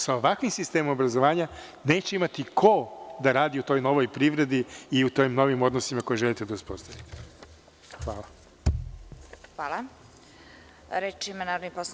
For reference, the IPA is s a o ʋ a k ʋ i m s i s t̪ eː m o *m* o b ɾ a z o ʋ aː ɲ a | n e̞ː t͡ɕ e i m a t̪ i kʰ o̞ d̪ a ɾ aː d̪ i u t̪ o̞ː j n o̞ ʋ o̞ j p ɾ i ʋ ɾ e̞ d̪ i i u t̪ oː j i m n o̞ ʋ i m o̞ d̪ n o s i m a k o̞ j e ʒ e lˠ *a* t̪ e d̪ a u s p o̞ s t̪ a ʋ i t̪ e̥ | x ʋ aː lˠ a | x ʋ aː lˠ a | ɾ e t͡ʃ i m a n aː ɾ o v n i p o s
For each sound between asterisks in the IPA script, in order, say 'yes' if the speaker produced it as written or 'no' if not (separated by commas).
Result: yes, no